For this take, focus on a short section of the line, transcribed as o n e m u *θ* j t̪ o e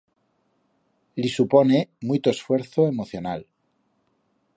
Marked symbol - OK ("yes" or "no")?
no